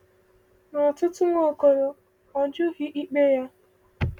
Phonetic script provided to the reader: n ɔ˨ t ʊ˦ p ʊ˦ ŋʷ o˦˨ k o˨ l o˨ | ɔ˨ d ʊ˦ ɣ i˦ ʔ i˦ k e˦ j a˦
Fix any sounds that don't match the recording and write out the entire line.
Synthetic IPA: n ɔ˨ t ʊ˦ t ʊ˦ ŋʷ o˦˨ k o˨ ɾ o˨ | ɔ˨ d͡ʒ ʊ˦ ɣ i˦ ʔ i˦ k͡p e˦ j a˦

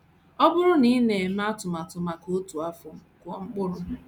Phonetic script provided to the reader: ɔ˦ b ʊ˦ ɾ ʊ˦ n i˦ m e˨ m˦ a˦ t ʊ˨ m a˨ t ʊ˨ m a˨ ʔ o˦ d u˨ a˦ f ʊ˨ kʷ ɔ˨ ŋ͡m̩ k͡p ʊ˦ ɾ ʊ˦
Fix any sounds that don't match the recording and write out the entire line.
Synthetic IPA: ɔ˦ b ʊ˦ ɾ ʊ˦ n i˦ n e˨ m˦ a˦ t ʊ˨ m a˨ t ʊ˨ m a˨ k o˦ t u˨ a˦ f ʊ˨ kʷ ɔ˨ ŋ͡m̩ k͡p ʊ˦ ɾ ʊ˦

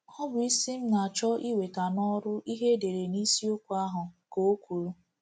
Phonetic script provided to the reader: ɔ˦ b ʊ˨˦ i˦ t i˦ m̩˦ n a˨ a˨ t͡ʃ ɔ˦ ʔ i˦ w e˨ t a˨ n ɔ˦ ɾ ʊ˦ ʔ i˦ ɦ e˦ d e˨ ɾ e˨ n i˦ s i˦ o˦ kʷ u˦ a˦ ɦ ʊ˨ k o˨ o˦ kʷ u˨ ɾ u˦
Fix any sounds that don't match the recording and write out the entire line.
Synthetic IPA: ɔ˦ b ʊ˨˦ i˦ s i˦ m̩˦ n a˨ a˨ t͡ʃ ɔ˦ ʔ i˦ w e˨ t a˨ n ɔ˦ ɾ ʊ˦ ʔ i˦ ɦ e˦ d e˨ ɾ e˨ n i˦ s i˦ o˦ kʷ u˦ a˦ ɦ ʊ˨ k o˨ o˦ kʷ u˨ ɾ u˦

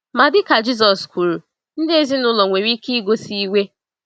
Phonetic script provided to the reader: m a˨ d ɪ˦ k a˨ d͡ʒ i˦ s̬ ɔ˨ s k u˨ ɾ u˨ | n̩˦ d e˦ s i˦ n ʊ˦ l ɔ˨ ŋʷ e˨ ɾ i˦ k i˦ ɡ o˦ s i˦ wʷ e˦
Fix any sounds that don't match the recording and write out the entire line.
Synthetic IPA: m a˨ d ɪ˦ k a˨ d͡ʒ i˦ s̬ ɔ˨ s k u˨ ɾ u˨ | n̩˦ d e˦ z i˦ n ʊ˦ l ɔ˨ ŋʷ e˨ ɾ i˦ k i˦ ɡ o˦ s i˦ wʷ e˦

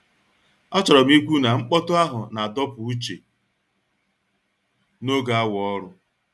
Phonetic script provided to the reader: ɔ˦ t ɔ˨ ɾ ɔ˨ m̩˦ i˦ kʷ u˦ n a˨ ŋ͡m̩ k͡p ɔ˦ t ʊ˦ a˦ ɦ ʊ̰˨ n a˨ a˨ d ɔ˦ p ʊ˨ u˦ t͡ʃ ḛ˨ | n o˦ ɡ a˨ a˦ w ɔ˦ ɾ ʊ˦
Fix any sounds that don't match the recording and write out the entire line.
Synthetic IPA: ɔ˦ t͡ʃ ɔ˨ ɾ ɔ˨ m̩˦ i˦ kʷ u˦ n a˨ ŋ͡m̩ k͡p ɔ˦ t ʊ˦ a˦ ɦ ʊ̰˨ n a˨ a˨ d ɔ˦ p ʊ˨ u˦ t͡ʃ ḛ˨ | n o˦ ɡ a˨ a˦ w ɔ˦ ɾ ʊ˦

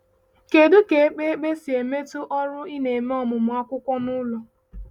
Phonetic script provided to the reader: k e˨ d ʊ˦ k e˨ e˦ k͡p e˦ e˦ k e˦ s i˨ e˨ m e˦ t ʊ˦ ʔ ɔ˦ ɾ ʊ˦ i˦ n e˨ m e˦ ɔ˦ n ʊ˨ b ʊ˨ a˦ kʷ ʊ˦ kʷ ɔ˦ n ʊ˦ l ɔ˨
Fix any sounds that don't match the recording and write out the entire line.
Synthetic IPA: k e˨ d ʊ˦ k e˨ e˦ k͡p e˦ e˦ k͡p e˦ s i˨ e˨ m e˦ t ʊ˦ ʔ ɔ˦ ɾ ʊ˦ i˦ n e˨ m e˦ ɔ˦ m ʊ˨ m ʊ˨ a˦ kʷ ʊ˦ kʷ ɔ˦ n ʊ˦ l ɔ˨

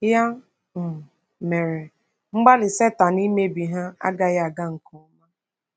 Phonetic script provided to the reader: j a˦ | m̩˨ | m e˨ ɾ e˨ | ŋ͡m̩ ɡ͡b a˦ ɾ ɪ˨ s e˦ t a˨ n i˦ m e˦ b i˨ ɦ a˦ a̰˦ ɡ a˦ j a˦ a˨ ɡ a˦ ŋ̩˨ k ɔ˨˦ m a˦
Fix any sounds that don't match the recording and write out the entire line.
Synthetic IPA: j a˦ | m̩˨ | m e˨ ɾ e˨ | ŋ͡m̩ ɡ͡b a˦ l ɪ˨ s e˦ t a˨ n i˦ m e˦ b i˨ ɦ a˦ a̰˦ ɡ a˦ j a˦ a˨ ɡ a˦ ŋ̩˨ k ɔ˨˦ m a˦

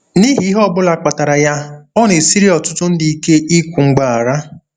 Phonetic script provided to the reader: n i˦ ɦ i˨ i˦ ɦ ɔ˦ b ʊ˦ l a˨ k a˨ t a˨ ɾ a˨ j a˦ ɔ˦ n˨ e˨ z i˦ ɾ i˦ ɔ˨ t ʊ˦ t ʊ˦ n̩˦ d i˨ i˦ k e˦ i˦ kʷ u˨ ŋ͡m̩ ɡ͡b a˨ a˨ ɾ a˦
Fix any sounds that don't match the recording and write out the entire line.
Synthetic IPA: n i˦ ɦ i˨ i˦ ɦ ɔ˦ b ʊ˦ l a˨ k͡p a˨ t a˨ ɾ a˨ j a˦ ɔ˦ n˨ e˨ s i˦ ɾ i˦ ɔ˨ t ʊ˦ t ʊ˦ n̩˦ d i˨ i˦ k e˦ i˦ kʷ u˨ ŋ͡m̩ ɡ͡b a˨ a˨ ɾ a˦

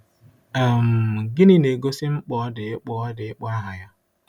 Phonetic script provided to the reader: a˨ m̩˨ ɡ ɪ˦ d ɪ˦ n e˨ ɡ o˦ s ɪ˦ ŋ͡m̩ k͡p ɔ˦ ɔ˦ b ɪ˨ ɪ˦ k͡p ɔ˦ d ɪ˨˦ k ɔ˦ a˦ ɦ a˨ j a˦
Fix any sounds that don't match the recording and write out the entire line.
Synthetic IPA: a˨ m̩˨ ɡ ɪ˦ n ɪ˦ n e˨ ɡ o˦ s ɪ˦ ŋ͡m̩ k͡p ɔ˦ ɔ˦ d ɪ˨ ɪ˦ k͡p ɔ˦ d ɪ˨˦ k͡p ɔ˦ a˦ ɦ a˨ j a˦

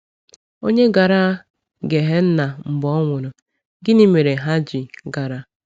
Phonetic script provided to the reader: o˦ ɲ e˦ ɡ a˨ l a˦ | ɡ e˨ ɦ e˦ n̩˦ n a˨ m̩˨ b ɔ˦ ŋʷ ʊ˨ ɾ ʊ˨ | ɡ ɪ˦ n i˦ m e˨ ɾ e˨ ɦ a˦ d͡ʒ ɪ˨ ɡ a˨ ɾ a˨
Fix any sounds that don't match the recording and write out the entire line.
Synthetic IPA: o˦ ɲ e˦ ɡ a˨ ɾ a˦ | ɡ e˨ ɦ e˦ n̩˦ n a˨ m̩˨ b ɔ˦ ŋʷ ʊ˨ ɾ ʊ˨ | ɡ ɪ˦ n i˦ m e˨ ɾ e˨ ɦ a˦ d͡ʒ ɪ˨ ɡ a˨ ɾ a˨

